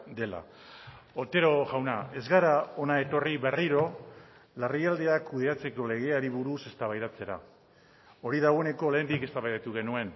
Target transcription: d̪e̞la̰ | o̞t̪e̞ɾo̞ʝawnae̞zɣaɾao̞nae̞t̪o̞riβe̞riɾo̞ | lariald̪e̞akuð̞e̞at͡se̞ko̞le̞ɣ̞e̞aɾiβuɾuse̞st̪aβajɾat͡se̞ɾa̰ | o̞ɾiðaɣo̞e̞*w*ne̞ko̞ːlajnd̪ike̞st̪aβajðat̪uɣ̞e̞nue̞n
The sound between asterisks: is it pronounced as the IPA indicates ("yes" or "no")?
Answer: no